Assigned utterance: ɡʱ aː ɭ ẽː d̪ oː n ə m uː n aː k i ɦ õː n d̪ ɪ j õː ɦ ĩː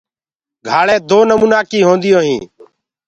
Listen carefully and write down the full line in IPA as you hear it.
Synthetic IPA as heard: ɡʱ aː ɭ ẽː d̪ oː n ə m uː n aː k iː ɦ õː n d̪ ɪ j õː ɦ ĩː